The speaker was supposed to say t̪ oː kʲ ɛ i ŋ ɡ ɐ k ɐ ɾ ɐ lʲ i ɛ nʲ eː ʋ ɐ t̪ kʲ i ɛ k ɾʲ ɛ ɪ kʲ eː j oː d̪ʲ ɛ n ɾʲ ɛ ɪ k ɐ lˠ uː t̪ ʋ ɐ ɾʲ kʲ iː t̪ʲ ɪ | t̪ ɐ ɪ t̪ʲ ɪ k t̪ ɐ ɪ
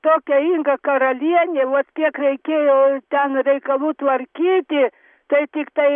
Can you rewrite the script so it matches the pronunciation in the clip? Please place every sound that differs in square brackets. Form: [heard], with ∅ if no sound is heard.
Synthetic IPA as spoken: t̪ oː kʲ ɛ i ŋ ɡ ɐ k ɐ ɾ ɐ lʲ i ɛ nʲ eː ʋ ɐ t̪ kʲ i ɛ k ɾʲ ɛ ɪ kʲ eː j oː [t̪ʲ] ɛ n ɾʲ ɛ ɪ k ɐ lˠ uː t̪ ʋ ɐ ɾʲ kʲ iː t̪ʲ ɪ | t̪ ɐ ɪ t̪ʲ ɪ k t̪ ɐ ɪ